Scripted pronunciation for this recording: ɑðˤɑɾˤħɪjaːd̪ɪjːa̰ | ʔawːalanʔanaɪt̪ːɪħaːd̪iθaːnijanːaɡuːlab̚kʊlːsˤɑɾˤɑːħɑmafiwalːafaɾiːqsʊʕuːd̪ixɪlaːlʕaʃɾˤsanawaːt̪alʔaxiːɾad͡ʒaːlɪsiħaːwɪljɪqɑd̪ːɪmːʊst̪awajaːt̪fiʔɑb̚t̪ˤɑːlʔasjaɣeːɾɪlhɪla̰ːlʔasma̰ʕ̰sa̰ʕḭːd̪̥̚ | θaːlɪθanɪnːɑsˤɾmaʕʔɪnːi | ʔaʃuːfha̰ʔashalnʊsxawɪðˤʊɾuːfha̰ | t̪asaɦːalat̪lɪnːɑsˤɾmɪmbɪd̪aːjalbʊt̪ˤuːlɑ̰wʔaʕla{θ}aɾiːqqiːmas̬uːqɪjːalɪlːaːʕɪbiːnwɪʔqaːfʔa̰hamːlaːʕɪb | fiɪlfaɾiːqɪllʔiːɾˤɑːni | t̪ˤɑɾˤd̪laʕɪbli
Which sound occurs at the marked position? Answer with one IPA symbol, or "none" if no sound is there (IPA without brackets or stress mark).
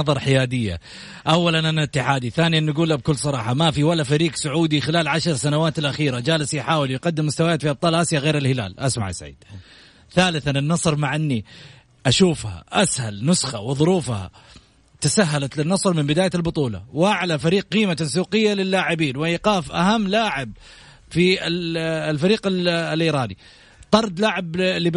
f